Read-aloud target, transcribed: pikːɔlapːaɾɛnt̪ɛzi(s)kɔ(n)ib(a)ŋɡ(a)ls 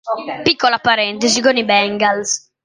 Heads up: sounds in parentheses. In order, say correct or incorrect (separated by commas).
incorrect, correct, incorrect, correct